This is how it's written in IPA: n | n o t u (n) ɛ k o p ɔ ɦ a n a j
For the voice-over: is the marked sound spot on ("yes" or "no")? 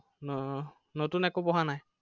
yes